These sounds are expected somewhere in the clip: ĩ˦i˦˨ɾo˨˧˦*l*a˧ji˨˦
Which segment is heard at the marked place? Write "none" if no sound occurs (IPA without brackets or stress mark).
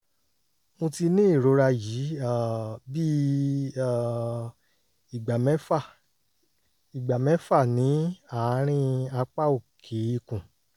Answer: ɾ